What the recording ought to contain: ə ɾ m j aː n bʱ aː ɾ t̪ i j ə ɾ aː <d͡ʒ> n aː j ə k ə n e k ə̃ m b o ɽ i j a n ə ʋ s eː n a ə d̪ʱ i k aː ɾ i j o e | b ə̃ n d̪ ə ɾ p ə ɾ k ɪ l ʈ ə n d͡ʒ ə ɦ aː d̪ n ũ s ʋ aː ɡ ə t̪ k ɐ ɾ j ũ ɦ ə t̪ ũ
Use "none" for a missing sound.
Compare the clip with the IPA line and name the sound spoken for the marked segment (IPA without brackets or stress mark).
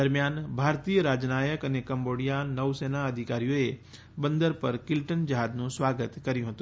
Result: d͡ʒ